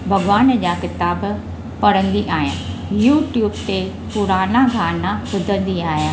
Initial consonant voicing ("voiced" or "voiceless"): voiced